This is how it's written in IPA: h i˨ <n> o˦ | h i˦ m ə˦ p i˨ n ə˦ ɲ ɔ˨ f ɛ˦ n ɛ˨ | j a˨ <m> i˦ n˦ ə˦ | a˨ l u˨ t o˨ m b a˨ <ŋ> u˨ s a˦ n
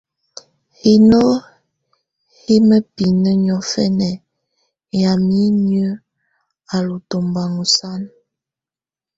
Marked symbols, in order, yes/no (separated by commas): yes, yes, yes